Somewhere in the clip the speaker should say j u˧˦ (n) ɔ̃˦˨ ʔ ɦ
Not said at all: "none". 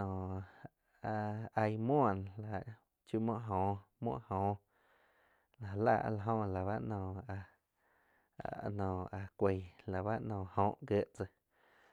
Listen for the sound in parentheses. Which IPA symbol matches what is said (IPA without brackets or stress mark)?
m